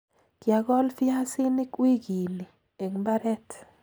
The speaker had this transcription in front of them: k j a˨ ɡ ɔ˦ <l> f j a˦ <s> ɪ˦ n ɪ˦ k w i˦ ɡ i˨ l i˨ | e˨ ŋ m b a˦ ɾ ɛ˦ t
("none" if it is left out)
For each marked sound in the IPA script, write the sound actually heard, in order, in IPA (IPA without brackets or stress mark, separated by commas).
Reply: l, s